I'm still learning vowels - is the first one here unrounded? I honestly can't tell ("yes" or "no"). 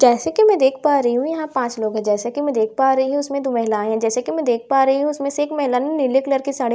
yes